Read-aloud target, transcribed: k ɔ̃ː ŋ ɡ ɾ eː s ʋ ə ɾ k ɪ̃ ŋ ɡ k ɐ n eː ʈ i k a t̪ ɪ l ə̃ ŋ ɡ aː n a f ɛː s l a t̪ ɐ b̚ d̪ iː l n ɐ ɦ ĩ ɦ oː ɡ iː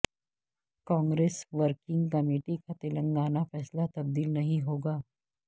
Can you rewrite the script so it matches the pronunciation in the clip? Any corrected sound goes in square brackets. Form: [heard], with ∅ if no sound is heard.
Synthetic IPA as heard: k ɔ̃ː ŋ ɡ ɾ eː s ʋ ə ɾ k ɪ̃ ŋ ɡ k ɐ [m] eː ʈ i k a t̪ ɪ l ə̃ ŋ ɡ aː n a f ɛː s l a t̪ ɐ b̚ d̪ iː l n ɐ ɦ ĩ ɦ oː ɡ [aː]

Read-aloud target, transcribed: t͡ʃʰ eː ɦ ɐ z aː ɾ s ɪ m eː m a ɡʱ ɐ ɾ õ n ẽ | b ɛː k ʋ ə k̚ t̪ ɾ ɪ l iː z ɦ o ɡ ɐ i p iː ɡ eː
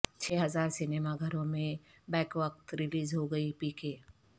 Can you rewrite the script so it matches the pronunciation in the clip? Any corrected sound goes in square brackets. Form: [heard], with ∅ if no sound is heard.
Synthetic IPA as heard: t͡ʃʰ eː ɦ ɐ z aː ɾ s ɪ [n] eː m a ɡʱ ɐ ɾ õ [m] ẽ | b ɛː k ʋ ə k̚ t̪ ɾ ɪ l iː z ɦ o ɡ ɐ i p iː [k] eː

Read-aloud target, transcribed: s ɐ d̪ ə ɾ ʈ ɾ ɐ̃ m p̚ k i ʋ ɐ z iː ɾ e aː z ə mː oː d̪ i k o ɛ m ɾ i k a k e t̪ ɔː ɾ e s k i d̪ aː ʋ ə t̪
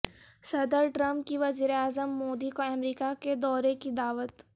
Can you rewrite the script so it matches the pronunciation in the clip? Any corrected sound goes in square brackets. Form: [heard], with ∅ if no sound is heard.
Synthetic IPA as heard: s ɐ d̪ ə ɾ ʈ ɾ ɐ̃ m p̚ k i ʋ ɐ z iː ɾ e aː z ə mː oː d̪ i k o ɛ m ɾ [iː] k a k e [d̪] ɔː ɾ e [∅] k i d̪ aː ʋ ə t̪

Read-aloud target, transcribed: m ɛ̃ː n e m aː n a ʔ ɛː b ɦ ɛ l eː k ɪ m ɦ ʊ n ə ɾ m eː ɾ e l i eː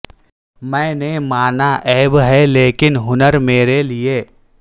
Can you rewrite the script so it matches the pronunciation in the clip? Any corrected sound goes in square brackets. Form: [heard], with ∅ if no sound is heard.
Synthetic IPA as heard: m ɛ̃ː n e m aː n a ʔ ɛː b ɦ ɛ l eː k ɪ [n] ɦ ʊ n ə ɾ m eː ɾ e l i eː

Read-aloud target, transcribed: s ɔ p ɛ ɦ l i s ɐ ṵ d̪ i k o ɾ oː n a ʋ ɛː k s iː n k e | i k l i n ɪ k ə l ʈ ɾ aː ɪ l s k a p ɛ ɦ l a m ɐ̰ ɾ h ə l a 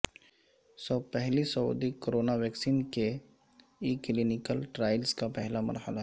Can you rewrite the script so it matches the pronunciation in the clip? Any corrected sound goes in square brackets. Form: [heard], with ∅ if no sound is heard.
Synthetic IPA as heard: s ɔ p ɛ ɦ l i s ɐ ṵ d̪ i k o ɾ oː n a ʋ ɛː k s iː n k e | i k l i n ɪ k ə l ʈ ɾ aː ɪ l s k a p ɛ ɦ l a m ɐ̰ ɾ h ə l a

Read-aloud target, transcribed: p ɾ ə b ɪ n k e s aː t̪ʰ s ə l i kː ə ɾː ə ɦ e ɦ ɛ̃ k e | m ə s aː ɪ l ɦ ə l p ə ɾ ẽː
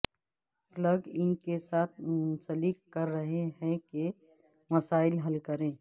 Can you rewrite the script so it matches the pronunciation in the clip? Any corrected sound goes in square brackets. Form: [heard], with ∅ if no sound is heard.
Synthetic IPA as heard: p [l] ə [ɡ] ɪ n k e s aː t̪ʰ s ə l i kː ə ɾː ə ɦ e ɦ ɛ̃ k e | m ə s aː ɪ l ɦ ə l [k] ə ɾ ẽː

